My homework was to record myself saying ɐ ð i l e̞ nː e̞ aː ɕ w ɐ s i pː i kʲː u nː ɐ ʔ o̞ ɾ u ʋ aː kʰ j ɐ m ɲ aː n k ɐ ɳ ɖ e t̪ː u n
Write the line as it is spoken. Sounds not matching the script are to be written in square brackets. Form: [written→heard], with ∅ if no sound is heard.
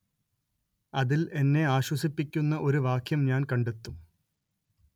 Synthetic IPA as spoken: ɐ ð i l e̞ nː e̞ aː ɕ w ɐ s i pː i kʲː u nː ɐ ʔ o̞ ɾ u ʋ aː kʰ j ɐ m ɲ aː n k ɐ ɳ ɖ e t̪ː u [n→m]